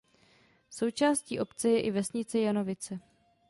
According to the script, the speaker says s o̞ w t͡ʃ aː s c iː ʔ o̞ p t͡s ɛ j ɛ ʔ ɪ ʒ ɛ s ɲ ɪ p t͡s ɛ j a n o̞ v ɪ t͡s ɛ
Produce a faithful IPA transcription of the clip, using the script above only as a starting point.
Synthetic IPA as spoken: s o̞ w t͡ʃ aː s c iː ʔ o̞ p t͡s ɛ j ɛ ʔ ɪ v ɛ s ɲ ɪ t͡s ɛ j a n o̞ v ɪ t͡s ɛ